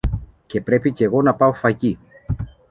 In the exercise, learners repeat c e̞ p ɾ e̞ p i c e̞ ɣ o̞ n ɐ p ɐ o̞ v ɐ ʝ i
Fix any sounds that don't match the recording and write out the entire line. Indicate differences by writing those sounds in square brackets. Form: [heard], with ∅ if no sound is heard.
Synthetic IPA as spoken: c e̞ p ɾ e̞ p i c e̞ ɣ o̞ n ɐ p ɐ o̞ [f] ɐ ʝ i

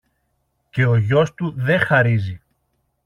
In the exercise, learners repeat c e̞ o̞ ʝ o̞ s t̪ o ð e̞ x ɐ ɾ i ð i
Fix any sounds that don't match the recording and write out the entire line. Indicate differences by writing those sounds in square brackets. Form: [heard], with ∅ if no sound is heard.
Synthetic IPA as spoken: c e̞ o̞ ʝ o̞ s t̪ [u] ð e̞ x ɐ ɾ i [z] i

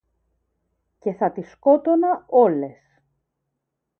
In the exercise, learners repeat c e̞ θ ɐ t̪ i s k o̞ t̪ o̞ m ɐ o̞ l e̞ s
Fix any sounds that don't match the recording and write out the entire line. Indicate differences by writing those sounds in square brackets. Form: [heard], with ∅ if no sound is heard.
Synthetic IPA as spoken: c e̞ θ ɐ t̪ i s k o̞ t̪ o̞ [n] ɐ o̞ l e̞ s

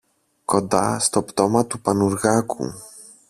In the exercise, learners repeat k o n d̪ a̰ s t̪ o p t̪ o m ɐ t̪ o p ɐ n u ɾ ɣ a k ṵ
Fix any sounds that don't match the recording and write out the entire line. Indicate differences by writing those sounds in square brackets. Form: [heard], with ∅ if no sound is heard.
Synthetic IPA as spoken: k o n d̪ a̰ s t̪ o p t̪ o m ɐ t̪ [u] p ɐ n u ɾ ɣ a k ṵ

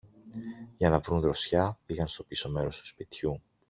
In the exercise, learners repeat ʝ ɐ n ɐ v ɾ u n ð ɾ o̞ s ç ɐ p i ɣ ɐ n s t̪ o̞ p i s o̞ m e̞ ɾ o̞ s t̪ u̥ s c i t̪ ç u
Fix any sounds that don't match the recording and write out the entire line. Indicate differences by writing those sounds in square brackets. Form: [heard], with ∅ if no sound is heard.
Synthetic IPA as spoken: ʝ ɐ n ɐ v ɾ u n ð ɾ o̞ s ç ɐ p i ɣ ɐ n s t̪ o̞ p i s o̞ m e̞ ɾ o̞ s t̪ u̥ s [p] i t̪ ç u

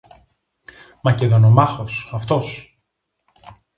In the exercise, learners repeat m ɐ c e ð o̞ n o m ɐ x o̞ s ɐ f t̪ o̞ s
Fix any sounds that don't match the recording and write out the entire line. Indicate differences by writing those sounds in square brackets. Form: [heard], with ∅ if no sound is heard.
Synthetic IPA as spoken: m ɐ c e ð o̞ n o m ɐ x o̞ s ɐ f t̪ o̞ s

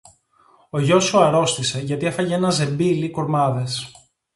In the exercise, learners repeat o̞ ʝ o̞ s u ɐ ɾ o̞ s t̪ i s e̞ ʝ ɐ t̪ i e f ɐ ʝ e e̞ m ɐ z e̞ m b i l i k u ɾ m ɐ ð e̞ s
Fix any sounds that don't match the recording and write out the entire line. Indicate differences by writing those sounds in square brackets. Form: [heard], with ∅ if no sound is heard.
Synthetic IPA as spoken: o̞ ʝ o̞ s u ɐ ɾ o̞ s t̪ i s e̞ ʝ ɐ t̪ i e f ɐ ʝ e e̞ [n] ɐ z e̞ m b i l i k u ɾ m ɐ ð e̞ s

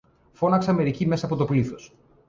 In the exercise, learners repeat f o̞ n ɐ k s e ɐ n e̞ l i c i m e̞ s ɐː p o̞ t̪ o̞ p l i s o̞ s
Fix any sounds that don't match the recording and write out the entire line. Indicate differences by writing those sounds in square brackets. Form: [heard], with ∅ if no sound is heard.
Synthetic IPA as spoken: f o̞ n ɐ k s e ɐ [m] e̞ [ɾ] i c i m e̞ s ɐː p o̞ t̪ o̞ p l i [θ] o̞ s

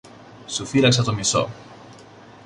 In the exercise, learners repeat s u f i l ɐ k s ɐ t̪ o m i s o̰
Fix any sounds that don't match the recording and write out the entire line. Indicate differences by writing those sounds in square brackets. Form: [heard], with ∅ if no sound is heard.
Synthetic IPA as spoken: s u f i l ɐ k s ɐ t̪ o m i s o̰

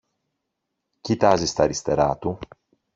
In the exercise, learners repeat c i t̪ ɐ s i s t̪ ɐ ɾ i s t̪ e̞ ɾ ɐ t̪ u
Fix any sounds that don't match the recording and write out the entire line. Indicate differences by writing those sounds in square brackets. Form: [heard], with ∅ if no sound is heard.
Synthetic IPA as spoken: c i t̪ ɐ [z] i s t̪ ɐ ɾ i s t̪ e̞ ɾ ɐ t̪ u

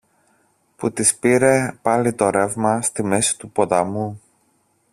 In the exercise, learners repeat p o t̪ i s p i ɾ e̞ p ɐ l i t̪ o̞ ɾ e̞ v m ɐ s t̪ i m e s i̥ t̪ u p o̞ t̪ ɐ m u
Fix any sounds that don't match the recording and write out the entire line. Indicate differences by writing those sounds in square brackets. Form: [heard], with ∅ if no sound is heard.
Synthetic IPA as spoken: p [u] t̪ i s p i ɾ e̞ p ɐ l i t̪ o̞ ɾ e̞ v m ɐ s t̪ i m e s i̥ t̪ u p o̞ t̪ ɐ m u

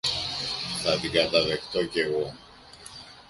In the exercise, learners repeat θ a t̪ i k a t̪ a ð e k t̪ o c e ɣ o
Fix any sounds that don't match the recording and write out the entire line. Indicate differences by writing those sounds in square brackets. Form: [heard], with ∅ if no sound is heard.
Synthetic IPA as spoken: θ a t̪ i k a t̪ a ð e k t̪ o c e ɣ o

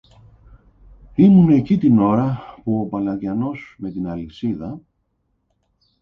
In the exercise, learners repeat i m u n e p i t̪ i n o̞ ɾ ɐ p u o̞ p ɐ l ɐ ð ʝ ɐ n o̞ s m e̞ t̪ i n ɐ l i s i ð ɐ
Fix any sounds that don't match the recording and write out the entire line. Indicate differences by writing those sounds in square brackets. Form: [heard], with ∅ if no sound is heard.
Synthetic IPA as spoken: i m u n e [c] i t̪ i n o̞ ɾ ɐ p u o̞ p ɐ l ɐ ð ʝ ɐ n o̞ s m e̞ t̪ i n ɐ l i s i ð ɐ

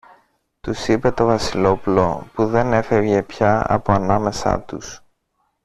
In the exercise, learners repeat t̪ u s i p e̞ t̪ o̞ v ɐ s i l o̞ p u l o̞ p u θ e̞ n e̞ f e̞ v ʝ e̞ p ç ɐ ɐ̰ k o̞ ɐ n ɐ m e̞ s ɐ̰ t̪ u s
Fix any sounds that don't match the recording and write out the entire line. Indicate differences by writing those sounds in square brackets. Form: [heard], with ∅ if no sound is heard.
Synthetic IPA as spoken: t̪ u s i p e̞ t̪ o̞ v ɐ s i l o̞ p u l o̞ p u [ð] e̞ n e̞ f e̞ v ʝ e̞ p ç ɐ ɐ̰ [p] o̞ ɐ n ɐ m e̞ s ɐ̰ t̪ u s

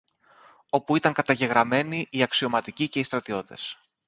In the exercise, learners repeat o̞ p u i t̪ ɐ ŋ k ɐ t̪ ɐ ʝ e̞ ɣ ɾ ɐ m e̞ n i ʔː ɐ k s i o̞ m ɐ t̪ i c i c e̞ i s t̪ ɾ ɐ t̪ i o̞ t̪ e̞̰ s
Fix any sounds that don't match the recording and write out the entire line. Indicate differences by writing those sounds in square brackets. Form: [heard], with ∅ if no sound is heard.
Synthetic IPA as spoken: o̞ p u i t̪ ɐ ŋ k ɐ t̪ ɐ ʝ e̞ ɣ ɾ ɐ m e̞ n i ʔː ɐ k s i o̞ m ɐ t̪ i c i c e̞ i s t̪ ɾ ɐ t̪ i o̞ t̪ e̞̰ s

